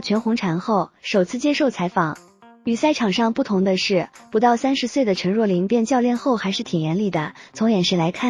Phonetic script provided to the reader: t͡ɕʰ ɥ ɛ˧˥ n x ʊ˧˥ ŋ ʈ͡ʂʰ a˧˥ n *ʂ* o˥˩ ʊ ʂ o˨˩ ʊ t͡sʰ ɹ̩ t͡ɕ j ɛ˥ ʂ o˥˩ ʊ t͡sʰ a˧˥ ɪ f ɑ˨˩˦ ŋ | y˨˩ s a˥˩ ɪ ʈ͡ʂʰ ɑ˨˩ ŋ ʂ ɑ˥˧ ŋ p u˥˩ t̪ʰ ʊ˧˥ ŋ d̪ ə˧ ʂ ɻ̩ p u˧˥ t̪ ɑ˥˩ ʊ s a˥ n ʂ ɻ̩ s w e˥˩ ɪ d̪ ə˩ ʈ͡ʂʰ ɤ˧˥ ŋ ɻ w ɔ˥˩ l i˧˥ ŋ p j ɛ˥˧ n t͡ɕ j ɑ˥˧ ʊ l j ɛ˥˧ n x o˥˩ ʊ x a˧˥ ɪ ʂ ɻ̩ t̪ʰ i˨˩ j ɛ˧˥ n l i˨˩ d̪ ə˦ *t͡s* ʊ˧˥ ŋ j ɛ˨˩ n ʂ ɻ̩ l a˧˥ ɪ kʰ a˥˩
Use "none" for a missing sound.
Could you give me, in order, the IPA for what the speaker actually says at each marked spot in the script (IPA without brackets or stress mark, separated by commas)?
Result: x, t͡sʰ